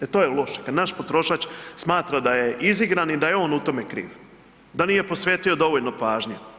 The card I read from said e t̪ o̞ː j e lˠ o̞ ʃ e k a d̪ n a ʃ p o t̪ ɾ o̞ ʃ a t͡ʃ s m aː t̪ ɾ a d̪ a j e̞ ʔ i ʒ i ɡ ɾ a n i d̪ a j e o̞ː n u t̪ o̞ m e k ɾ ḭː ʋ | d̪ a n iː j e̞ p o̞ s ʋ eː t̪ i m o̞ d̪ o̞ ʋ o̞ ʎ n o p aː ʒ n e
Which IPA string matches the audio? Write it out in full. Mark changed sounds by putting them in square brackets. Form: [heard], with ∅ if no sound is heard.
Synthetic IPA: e t̪ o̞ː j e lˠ o̞ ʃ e k a d̪ n a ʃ p o t̪ ɾ o̞ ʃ a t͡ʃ s m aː t̪ ɾ a d̪ a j e̞ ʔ i [z] i ɡ ɾ a n i d̪ a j e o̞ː n u t̪ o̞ m e k ɾ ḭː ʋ | d̪ a n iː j e̞ p o̞ s ʋ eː t̪ i [∅] o̞ d̪ o̞ ʋ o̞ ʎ n o p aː ʒ [ɲ] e

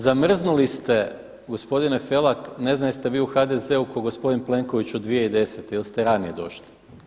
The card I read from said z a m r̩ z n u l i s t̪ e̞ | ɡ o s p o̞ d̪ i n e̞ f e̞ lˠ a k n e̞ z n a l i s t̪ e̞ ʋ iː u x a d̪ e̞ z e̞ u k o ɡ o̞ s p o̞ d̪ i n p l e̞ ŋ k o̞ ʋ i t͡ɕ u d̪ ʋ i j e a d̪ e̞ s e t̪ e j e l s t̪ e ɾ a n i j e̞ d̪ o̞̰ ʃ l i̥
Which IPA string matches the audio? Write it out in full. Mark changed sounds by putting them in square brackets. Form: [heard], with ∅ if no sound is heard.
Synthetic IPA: z a m r̩ z n u l i s t̪ e̞ | ɡ o s p o̞ d̪ i n e̞ f e̞ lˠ a k n e̞ z n a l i s t̪ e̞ ʋ iː u x a d̪ e̞ z e̞ u k o ɡ o̞ s p o̞ d̪ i n p l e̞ ŋ k o̞ ʋ i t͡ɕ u d̪ ʋ i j e [i] d̪ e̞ s e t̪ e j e l s t̪ e ɾ a n i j e̞ d̪ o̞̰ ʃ l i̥

